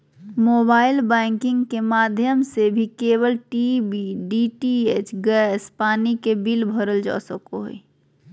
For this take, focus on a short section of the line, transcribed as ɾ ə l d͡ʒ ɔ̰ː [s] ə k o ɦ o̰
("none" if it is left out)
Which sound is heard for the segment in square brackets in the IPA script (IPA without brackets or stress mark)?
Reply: s